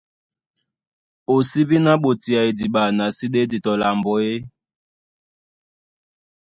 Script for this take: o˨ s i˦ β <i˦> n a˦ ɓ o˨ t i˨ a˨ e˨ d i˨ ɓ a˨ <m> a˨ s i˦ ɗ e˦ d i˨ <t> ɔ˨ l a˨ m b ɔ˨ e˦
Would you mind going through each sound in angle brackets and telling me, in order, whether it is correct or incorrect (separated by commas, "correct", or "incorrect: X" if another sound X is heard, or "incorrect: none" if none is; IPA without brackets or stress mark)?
correct, incorrect: n, correct